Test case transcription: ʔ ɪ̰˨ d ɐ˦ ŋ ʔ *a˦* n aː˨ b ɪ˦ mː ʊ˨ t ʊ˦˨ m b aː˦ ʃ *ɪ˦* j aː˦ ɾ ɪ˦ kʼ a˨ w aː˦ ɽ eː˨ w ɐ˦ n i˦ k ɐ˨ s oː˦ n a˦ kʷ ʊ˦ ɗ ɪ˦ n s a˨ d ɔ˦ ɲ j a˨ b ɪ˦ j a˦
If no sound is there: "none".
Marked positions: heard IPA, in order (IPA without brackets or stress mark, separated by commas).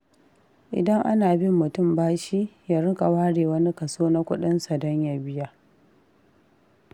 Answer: a˦, i˦